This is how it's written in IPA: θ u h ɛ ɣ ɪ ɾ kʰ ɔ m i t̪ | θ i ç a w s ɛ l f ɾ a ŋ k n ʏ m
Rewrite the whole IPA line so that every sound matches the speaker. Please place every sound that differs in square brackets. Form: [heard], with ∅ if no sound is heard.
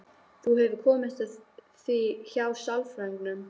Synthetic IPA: θ u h ɛ [v] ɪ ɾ kʰ [ɔː] m [ɪ] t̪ | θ i ç a w s [a] l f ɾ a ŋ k n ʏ m